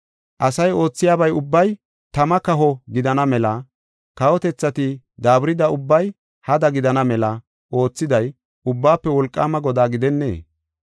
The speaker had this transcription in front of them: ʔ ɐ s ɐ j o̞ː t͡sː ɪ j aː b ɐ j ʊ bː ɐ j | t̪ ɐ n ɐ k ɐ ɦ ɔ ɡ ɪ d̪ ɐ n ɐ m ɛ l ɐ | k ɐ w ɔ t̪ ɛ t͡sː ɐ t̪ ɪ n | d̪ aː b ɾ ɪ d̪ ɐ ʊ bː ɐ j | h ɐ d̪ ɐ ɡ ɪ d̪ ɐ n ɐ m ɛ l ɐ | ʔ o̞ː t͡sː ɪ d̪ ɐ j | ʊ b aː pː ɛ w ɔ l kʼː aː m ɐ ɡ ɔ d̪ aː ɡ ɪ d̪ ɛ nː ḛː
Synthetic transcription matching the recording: ʔ ɐ s ɐ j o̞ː t͡sː ɪ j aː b ɐ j ʊ bː ɐ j | t̪ ɐ m ɐ k ɐ ɦ ɔ ɡ ɪ d̪ ɐ n ɐ m ɛ l ɐ | k ɐ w ɔ t̪ ɛ t͡sː ɐ t̪ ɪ | d̪ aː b ɾ ɪ d̪ ɐ ʊ bː ɐ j | h ɐ d̪ ɐ ɡ ɪ d̪ ɐ n ɐ m ɛ l ɐ | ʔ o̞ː t͡sː ɪ d̪ ɐ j | ʊ bː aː pː ɛ w ɔ l kʼː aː m ɐ ɡ ɔ d̪ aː ɡ ɪ d̪ ɛ nː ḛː